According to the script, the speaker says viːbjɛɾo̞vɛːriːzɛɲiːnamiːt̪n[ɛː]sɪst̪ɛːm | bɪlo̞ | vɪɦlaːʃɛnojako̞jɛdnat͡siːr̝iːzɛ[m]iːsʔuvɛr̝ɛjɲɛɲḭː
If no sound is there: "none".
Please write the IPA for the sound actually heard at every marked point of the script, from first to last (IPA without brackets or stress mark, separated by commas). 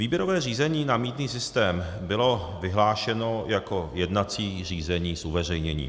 iː, ɲ